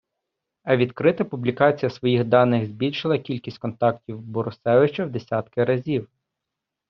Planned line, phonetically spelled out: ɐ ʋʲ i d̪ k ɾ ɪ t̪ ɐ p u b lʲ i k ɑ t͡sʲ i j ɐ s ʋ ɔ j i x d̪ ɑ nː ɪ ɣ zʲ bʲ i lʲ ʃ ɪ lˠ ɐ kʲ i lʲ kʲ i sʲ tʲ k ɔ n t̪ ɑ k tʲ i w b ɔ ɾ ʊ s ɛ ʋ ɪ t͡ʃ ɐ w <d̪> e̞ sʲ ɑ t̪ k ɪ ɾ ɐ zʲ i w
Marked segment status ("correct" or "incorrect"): correct